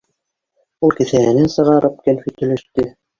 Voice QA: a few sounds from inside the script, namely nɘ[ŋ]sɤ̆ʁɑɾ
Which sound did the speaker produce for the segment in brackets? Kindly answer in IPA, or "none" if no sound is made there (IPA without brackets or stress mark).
n